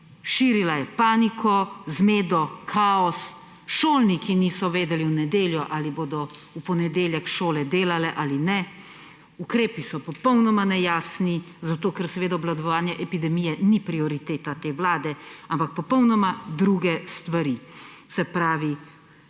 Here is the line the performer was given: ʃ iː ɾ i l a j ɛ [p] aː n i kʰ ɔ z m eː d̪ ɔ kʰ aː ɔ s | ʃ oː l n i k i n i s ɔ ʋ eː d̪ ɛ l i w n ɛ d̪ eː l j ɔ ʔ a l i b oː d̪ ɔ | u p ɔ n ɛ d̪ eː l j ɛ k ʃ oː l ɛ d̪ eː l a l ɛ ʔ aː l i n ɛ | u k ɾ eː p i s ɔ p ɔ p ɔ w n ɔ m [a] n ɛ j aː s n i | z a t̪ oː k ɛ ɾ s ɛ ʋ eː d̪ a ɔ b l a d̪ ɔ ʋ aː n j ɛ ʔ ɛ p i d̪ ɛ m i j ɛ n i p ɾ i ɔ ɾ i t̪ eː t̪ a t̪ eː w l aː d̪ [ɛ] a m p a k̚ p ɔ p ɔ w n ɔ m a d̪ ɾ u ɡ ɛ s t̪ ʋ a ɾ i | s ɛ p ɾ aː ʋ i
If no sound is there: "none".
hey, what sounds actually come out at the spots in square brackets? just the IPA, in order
p, a, ɛ

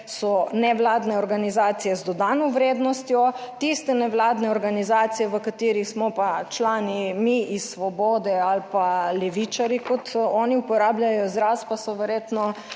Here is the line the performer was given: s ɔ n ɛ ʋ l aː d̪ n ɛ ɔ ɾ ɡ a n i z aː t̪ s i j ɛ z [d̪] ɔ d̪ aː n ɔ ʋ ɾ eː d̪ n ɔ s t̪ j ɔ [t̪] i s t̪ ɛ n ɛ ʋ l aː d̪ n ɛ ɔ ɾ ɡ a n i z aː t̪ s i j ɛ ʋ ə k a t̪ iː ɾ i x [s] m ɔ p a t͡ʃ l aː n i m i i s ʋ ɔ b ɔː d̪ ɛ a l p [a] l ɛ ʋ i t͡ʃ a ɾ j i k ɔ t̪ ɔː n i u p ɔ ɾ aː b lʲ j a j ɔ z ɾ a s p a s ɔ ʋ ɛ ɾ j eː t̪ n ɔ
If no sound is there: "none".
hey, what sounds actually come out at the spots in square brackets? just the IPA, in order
d̪, t̪, s, a

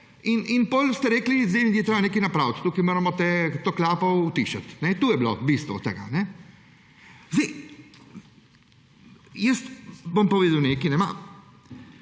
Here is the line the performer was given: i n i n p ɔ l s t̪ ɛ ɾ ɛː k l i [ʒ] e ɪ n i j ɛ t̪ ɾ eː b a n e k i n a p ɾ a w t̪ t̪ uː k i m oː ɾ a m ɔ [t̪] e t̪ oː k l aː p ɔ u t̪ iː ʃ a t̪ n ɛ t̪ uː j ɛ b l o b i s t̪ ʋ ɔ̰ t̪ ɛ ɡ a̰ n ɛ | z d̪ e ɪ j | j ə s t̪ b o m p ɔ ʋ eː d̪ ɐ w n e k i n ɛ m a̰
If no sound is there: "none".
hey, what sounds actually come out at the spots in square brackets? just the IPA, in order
z, t̪

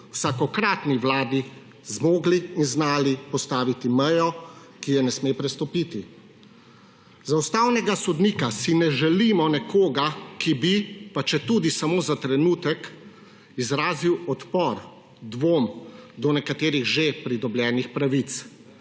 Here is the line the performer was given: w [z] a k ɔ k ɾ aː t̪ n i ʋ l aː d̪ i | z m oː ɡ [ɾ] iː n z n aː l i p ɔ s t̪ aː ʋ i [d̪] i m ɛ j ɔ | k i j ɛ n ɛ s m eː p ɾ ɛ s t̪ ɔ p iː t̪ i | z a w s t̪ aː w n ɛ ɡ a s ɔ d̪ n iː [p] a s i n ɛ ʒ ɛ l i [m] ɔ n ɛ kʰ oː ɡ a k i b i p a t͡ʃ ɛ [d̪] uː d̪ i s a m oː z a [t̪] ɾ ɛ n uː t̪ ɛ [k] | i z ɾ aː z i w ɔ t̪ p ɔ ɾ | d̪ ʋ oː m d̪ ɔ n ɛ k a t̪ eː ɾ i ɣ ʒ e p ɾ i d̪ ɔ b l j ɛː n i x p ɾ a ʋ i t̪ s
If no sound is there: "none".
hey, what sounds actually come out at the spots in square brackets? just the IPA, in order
s, l, t̪, k, m, t̪, t̪, k

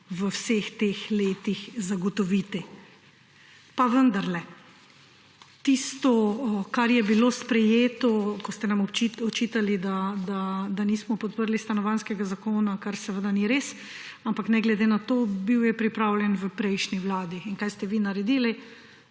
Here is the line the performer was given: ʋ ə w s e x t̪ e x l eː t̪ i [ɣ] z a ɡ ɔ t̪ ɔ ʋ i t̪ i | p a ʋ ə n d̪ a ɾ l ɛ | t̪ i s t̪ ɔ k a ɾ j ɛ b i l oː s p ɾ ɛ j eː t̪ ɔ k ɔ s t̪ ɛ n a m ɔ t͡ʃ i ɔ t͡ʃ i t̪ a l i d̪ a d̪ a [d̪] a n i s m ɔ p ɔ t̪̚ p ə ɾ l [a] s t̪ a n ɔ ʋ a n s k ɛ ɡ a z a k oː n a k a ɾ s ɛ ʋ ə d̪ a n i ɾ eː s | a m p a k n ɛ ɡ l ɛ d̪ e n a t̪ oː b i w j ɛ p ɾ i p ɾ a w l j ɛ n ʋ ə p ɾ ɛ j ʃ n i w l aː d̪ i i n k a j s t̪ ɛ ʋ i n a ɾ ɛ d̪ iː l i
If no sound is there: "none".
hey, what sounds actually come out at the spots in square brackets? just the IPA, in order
x, d̪, i

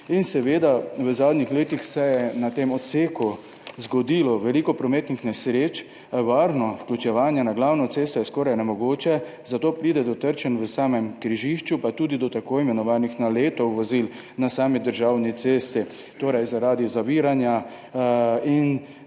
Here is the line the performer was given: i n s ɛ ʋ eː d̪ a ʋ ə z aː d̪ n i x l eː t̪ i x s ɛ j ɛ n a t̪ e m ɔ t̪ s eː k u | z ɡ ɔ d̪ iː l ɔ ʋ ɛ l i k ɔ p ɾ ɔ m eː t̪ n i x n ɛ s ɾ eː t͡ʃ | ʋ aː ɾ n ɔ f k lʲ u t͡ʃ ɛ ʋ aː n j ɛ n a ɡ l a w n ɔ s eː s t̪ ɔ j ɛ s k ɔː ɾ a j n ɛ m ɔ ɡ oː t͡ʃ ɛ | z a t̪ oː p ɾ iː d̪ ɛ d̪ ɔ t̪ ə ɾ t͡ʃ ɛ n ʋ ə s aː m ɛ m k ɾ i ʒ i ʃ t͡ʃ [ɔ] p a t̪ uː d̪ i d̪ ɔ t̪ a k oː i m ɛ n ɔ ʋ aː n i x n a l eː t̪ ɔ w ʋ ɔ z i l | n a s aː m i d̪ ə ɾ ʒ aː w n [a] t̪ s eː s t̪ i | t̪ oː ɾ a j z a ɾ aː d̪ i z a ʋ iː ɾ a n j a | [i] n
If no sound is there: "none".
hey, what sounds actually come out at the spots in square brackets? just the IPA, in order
u, i, i

